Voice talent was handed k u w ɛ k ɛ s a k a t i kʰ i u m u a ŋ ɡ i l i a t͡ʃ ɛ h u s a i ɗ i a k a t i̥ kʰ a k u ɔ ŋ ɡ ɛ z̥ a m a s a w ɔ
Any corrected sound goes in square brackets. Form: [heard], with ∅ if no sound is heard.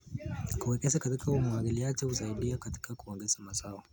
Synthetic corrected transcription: k u w ɛ k ɛ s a k a t i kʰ [a] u m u a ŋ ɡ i l i a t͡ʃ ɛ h u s a i ɗ i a k a t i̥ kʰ a k u ɔ ŋ ɡ ɛ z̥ a m a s a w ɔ